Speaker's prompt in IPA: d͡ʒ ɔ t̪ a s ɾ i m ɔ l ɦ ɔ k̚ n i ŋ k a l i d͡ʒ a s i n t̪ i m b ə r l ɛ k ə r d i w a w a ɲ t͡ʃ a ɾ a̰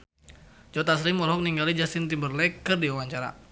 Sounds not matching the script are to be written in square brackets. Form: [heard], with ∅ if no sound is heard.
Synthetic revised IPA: d͡ʒ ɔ t̪ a s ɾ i m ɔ l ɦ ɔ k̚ n i ŋ [ɡ] a l i d͡ʒ a s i n t̪ i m b ə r l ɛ k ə r d i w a w a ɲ t͡ʃ a ɾ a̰